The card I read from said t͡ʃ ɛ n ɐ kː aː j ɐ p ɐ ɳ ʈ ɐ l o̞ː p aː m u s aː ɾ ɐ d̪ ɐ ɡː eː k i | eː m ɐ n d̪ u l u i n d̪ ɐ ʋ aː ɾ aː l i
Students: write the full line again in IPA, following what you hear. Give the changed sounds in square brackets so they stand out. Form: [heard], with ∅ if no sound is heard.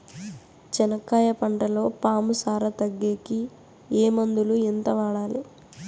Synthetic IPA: t͡ʃ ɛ n ɐ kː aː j ɐ p ɐ ɳ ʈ ɐ l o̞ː p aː m u s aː ɾ ɐ [t̪] ɐ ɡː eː k i | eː m ɐ n d̪ u l u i n [t̪] ɐ ʋ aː [ɽ] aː l i